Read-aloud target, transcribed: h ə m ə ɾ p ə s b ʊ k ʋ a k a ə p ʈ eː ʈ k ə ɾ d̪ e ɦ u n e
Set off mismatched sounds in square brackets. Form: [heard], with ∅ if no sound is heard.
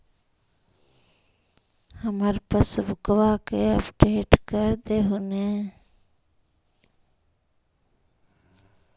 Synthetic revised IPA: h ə m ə ɾ p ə s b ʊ k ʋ a k [e] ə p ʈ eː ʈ k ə ɾ d̪ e ɦ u n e